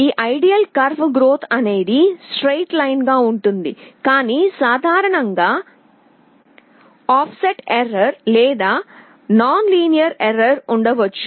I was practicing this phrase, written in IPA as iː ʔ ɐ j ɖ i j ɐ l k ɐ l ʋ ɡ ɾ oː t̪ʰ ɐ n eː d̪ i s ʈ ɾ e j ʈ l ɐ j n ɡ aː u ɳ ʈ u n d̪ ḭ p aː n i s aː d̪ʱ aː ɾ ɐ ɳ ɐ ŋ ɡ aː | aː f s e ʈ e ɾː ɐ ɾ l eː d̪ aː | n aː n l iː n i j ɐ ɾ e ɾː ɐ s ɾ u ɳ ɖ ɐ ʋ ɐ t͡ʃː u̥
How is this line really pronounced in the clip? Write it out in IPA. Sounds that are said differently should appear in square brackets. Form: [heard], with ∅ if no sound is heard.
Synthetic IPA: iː ʔ ɐ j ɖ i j ɐ l k ɐ [ɾ] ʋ ɡ ɾ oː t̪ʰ ɐ n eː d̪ i s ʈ ɾ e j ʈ l ɐ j n ɡ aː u ɳ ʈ u n d̪ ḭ [k] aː n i s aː d̪ʱ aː ɾ ɐ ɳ ɐ ŋ ɡ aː | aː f s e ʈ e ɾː ɐ ɾ l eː d̪ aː | n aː n l iː n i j ɐ ɾ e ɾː ɐ [∅] ɾ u ɳ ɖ ɐ ʋ ɐ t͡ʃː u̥